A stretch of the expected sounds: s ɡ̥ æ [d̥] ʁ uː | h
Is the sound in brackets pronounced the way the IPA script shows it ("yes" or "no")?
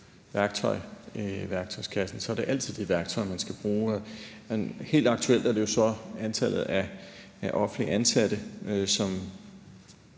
no